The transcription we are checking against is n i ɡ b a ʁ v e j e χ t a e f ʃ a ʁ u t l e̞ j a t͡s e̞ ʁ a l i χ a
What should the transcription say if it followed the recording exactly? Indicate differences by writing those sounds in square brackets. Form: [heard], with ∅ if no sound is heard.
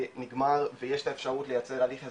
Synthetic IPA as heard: n i ɡ [m] a ʁ v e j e [ʃ] t a e f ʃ a ʁ u t l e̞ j a t͡s e̞ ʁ a l i χ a